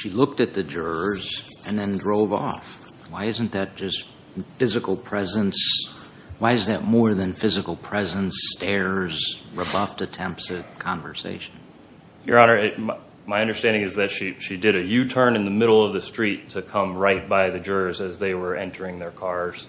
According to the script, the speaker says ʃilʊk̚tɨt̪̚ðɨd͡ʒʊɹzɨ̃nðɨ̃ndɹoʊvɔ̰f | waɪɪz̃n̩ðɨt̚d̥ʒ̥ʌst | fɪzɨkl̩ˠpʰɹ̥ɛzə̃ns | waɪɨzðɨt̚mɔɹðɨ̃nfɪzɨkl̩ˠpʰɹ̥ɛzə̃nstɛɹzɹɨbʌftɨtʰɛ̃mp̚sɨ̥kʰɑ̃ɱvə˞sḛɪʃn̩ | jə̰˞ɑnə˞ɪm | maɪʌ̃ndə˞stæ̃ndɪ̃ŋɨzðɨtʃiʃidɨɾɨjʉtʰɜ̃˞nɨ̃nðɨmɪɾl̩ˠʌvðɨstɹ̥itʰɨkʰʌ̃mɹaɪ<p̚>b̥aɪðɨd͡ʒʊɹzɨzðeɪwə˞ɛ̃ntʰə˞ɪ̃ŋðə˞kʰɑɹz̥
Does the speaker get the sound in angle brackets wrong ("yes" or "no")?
yes